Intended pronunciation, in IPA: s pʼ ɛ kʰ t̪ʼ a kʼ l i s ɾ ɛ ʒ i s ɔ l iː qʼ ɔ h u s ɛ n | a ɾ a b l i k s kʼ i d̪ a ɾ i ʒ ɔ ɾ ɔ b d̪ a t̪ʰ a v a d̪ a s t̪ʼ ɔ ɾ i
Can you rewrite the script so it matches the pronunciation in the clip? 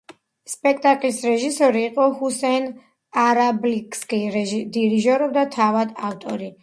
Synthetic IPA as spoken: s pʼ ɛ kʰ t̪ʼ a kʼ l i s ɾ ɛ ʒ i s ɔ ɾ iː qʼ ɔ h u s ɛ n | a ɾ a b l i k s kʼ i d̪ i ɾ i ʒ ɔ ɾ ɔ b d̪ a t̪ʰ a v a d̪ a f t̪ʼ ɔ ɾ i